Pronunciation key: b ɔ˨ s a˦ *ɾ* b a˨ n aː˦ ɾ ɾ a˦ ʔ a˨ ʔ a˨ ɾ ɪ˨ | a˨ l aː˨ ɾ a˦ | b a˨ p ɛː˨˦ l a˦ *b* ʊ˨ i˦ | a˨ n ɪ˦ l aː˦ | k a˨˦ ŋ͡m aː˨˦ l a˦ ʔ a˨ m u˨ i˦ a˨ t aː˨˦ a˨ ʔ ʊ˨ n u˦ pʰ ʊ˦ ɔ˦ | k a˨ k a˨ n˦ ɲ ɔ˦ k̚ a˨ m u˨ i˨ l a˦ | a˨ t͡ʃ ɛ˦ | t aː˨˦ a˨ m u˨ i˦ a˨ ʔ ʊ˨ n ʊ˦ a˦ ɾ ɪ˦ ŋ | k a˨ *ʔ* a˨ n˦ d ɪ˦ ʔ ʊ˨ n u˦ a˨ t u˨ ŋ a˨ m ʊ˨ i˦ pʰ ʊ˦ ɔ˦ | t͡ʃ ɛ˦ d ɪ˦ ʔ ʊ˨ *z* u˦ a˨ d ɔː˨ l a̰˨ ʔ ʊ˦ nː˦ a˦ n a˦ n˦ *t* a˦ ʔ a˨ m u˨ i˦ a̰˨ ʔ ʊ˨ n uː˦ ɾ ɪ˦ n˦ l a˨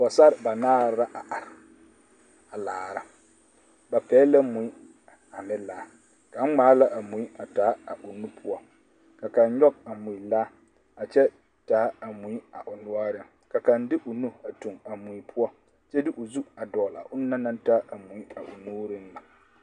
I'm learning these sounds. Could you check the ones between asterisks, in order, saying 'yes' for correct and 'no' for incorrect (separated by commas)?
yes, no, no, yes, yes